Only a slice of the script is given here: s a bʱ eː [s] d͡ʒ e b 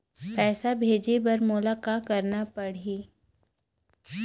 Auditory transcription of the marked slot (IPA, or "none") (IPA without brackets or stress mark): none